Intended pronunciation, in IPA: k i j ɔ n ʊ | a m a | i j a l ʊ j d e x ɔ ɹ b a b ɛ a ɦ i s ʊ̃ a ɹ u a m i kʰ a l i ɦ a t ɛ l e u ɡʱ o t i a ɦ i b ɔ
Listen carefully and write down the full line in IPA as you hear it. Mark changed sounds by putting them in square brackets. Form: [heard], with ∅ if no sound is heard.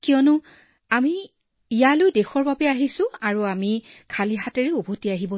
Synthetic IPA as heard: k i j ɔ n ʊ | a m [i] | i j a l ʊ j d e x ɔ ɹ b a b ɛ a ɦ i s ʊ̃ a ɹ u a m i kʰ a l i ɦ a t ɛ [ɹ] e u [bʱ] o t i a ɦ i b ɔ